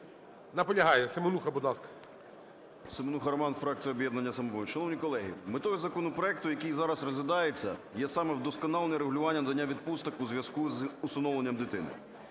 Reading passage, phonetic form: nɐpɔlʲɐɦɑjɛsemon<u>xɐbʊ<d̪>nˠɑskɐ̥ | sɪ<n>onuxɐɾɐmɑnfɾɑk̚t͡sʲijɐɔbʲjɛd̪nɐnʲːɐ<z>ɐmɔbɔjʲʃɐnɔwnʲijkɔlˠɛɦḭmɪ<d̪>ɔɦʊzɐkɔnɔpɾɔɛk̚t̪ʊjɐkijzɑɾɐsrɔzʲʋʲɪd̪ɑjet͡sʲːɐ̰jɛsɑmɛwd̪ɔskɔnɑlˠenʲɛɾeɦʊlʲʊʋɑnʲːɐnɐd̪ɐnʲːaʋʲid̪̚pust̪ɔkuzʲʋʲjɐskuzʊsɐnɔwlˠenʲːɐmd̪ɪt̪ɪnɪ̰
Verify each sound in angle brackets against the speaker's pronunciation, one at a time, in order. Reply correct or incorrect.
correct, correct, incorrect, incorrect, incorrect

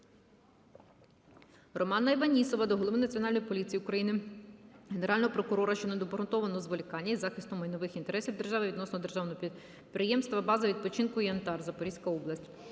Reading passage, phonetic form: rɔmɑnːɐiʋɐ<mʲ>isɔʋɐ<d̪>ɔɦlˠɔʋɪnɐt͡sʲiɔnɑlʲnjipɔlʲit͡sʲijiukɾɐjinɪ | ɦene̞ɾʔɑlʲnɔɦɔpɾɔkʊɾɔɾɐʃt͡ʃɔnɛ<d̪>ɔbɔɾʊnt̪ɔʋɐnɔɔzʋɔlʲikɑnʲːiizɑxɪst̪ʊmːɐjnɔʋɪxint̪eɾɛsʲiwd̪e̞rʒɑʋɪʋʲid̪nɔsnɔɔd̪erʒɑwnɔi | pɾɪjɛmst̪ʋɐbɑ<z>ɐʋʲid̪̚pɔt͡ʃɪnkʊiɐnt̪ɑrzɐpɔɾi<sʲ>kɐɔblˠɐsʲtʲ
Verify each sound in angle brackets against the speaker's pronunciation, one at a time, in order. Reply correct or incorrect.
incorrect, correct, correct, correct, correct

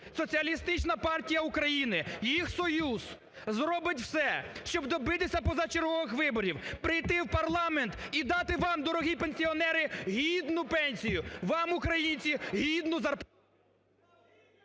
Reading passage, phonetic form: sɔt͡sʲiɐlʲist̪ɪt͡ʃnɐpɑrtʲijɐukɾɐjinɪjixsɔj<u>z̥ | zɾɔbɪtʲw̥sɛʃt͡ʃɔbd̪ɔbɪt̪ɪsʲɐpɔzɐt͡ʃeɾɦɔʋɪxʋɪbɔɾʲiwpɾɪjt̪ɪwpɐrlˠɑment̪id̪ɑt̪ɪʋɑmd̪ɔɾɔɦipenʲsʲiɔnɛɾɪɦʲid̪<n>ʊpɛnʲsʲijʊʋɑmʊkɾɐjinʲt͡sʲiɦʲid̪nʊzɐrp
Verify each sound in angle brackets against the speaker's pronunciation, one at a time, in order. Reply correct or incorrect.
correct, correct

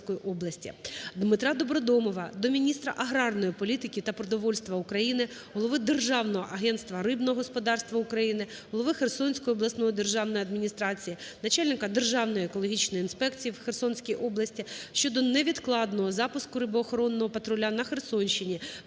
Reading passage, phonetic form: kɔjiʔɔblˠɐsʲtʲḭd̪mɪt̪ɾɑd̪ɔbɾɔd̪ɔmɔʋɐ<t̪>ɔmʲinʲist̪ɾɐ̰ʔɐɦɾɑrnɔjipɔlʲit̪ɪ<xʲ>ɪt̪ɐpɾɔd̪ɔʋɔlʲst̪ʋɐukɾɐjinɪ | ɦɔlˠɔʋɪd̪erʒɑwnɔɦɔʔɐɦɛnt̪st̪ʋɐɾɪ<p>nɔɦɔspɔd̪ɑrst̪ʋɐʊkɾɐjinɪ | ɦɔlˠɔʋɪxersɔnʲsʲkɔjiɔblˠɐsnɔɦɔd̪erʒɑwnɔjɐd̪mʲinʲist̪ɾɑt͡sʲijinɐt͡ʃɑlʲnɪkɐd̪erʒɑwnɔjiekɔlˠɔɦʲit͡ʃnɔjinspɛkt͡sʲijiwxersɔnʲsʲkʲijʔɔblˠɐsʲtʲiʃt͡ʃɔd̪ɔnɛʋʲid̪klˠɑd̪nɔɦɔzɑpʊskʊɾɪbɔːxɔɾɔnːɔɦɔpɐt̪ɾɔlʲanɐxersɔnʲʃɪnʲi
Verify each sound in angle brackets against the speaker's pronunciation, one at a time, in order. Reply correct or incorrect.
incorrect, incorrect, incorrect

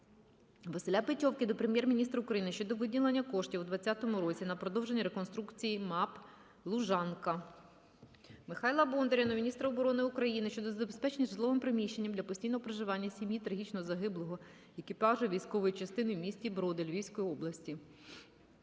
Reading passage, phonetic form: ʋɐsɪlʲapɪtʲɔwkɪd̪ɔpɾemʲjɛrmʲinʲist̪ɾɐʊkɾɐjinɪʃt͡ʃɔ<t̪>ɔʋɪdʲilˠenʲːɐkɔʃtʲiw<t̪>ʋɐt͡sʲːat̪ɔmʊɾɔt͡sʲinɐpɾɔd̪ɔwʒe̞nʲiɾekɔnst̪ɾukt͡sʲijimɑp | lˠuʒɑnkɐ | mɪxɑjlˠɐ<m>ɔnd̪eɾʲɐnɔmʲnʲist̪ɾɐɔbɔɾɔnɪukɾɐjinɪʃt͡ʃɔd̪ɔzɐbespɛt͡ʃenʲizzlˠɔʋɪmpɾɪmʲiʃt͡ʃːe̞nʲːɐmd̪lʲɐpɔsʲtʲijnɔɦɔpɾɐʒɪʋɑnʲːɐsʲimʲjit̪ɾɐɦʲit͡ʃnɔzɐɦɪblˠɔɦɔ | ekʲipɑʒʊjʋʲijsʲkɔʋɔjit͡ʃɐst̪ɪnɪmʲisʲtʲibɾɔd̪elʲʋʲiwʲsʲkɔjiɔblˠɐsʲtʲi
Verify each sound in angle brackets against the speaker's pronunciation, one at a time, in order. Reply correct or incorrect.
incorrect, incorrect, incorrect

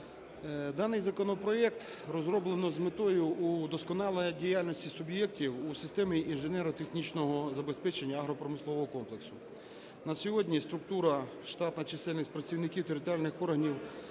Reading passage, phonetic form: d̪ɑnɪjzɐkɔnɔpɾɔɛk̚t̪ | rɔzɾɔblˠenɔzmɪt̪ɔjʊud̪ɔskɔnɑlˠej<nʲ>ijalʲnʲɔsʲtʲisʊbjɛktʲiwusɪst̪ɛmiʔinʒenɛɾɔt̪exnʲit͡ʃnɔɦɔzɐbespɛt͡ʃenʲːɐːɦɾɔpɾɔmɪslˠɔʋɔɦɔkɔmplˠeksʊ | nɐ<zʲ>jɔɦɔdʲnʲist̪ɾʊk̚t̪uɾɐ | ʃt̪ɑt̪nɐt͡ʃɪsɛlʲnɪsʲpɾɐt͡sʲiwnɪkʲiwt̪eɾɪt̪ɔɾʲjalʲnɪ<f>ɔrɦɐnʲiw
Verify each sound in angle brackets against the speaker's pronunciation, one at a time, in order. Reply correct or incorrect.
incorrect, incorrect, incorrect

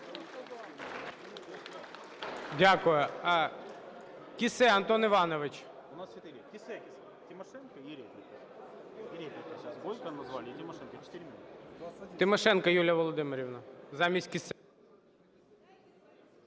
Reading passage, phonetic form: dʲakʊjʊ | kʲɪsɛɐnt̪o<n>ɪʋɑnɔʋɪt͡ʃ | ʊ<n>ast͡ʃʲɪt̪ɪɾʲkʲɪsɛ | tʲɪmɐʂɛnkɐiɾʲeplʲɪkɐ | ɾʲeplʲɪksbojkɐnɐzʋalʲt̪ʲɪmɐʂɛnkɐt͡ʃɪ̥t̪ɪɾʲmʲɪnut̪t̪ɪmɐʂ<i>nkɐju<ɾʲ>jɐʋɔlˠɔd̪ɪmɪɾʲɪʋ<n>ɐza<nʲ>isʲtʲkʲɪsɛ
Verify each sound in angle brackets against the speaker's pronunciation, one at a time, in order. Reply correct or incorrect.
correct, correct, incorrect, incorrect, correct, incorrect

